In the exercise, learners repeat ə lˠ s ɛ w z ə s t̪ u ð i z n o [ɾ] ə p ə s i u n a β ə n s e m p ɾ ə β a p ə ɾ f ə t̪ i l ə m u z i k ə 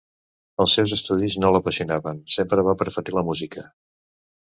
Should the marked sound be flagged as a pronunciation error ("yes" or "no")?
yes